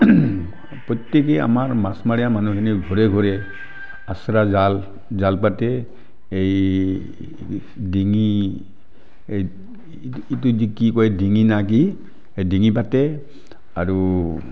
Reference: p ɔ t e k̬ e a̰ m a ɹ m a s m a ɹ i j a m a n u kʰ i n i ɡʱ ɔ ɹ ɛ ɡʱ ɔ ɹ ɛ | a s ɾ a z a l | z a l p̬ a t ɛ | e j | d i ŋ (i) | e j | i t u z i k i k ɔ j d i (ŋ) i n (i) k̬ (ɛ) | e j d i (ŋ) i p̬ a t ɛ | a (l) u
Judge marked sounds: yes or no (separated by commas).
yes, yes, no, no, yes, no